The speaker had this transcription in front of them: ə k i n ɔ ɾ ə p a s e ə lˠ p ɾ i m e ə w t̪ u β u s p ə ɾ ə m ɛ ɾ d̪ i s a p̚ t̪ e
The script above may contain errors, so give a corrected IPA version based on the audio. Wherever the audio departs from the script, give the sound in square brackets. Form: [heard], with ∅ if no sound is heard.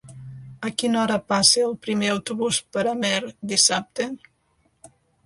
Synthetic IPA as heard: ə k i n ɔ ɾ ə p a s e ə lˠ p ɾ i m e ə w t̪ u β u s p ə ɾ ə m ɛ ɾ d̪ i s a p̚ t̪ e